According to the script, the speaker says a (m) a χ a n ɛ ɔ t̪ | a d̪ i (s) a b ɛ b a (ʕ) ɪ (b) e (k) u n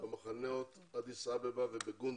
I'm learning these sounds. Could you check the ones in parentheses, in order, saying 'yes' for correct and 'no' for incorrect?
yes, yes, no, yes, no

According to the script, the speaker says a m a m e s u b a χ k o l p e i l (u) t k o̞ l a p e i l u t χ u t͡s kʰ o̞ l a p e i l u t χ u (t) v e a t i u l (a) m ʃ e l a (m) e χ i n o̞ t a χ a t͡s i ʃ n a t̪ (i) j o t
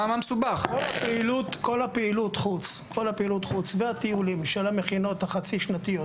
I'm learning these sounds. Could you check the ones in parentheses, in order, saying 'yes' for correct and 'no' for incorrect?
yes, no, no, yes, yes

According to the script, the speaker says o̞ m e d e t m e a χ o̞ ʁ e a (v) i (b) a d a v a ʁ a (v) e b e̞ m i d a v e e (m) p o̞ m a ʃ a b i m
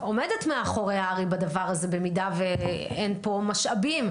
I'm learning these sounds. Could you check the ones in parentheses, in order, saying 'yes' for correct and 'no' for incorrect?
no, yes, no, no

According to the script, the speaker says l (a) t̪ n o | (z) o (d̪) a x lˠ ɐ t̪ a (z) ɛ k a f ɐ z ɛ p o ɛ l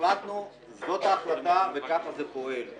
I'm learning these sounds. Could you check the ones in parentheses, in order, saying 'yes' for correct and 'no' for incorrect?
yes, yes, no, no

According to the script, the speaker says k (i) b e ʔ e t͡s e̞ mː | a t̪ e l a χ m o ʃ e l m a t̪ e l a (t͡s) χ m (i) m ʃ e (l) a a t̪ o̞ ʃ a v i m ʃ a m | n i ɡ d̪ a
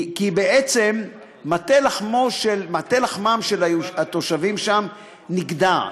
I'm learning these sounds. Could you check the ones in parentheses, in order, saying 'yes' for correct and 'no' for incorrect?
yes, no, no, yes

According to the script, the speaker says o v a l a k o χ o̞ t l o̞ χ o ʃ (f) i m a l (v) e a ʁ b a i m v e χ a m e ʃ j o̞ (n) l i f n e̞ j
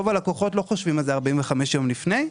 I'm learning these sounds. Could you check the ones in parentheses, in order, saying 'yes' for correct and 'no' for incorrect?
no, no, no

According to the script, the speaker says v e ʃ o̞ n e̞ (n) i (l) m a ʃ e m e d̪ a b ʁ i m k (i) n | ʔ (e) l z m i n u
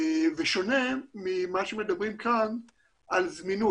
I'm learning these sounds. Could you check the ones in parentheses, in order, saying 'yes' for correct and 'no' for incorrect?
no, no, no, no

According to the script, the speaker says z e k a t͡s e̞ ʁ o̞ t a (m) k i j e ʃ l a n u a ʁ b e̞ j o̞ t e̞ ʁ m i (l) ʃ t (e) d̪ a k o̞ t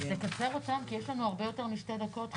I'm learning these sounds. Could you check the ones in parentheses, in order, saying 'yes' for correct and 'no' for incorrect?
yes, no, yes

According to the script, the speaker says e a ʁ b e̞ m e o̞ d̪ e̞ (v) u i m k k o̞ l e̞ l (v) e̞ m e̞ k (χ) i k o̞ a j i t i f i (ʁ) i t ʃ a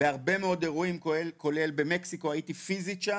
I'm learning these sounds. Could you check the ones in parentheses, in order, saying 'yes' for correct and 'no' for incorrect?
no, no, no, no

